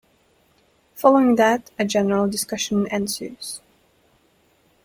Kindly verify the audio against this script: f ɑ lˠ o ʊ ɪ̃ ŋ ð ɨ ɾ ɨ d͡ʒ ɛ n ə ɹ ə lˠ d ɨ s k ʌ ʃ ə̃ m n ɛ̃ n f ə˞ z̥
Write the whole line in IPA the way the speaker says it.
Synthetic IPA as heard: f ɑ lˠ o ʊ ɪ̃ ŋ ð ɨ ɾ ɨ d͡ʒ ɛ n ə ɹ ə lˠ d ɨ s k ʌ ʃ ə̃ n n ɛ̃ n s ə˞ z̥